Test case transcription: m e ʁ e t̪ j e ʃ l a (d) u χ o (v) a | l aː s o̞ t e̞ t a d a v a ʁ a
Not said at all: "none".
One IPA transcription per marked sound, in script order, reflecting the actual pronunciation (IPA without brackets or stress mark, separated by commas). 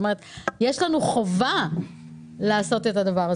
n, v